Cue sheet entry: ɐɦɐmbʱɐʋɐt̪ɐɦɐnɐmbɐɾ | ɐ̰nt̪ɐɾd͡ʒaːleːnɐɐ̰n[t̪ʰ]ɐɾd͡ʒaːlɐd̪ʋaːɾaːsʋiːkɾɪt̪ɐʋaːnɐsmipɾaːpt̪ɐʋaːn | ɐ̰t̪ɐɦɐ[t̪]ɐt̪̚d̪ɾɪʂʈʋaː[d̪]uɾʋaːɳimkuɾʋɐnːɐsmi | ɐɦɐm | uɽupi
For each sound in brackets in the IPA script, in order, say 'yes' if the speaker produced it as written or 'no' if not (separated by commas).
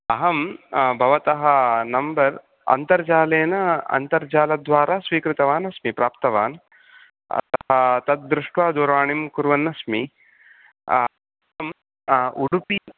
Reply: no, yes, yes